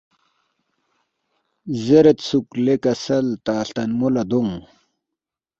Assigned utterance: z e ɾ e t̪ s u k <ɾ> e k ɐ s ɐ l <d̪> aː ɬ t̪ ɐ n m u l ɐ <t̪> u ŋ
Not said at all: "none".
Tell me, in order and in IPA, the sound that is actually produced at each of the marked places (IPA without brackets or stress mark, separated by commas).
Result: l, t̪, d̪